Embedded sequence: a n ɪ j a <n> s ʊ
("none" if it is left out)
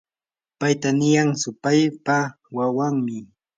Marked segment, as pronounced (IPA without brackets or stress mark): ŋ